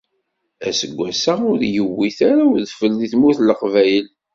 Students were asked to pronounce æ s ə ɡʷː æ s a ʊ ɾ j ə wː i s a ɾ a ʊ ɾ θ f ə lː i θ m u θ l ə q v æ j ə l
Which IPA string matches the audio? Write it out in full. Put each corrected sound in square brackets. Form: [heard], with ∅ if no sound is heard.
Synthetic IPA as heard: æ s ə ɡʷː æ s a ʊ ɾ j ə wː i [θ] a ɾ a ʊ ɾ [ð] f ə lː i θ m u θ l ə q v æ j ə l